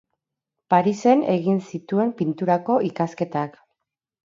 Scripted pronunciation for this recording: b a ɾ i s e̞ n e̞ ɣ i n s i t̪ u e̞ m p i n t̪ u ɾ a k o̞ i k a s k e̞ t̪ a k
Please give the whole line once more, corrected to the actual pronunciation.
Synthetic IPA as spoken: p a ɾ i s e̞ n e̞ ɣ i n s i t̪ u e̞ m p i n t̪ u ɾ a k o̞ i k a s k e̞ t̪ a k